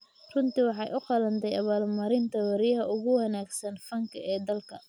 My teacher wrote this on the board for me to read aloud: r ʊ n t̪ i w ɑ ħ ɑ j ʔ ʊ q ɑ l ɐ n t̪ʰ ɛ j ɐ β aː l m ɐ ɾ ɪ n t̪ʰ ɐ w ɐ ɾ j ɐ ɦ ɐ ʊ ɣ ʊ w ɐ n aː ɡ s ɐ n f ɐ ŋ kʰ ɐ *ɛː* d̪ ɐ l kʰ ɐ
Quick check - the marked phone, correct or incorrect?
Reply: correct